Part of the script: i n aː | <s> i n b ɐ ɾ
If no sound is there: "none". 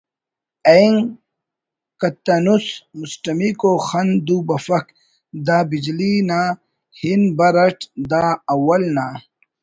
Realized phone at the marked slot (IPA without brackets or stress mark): h